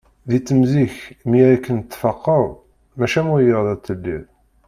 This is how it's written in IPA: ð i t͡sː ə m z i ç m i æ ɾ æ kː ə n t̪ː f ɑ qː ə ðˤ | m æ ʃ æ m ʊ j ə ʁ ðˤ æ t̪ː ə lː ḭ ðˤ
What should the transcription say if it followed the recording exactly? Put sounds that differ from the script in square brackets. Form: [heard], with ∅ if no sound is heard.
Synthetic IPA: ð i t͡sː ə m z i ç m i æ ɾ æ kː ə n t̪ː f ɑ qː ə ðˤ | m æ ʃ æ m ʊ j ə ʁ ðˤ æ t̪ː ə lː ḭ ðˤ